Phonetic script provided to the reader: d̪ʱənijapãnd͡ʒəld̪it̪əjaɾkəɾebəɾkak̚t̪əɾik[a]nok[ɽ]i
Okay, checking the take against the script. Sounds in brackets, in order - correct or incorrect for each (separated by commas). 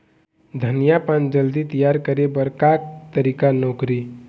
correct, incorrect